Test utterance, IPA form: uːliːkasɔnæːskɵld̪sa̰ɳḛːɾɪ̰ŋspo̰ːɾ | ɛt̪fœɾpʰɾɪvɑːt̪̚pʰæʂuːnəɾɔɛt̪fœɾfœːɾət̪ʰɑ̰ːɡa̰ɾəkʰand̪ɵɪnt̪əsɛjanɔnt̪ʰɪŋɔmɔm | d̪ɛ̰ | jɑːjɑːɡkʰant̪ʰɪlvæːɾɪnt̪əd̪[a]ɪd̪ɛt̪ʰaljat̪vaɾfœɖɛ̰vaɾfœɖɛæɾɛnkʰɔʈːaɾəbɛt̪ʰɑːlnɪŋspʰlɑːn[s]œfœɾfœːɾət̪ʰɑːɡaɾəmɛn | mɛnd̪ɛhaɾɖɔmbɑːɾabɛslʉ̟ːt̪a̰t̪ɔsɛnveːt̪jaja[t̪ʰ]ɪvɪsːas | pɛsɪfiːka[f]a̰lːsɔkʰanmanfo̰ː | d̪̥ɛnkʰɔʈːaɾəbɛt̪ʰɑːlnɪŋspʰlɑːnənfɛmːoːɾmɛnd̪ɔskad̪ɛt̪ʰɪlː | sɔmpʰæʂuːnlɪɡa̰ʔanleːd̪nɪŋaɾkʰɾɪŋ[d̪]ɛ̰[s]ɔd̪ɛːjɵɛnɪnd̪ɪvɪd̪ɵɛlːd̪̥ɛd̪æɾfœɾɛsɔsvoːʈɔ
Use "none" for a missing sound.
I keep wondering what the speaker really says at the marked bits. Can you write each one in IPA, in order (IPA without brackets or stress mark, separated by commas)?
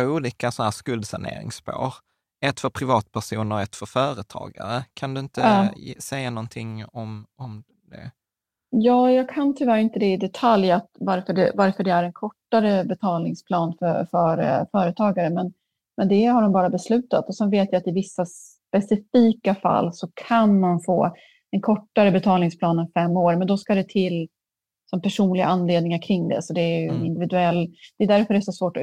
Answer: ɛ, f, t̪, f, d̪, s